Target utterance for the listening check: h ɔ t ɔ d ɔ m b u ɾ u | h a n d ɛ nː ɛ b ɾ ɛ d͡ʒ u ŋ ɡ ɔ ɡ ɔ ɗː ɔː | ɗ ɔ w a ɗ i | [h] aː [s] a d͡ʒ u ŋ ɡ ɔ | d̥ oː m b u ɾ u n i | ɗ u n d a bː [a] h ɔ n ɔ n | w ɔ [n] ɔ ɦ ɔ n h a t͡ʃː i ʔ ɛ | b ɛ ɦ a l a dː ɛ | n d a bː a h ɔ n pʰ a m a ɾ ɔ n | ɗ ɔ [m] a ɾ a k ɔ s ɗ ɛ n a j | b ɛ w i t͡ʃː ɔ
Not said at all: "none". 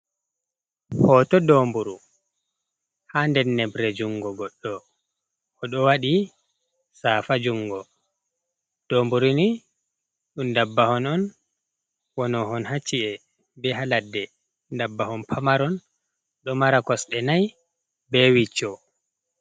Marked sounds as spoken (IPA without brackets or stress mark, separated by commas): s, f, a, n, m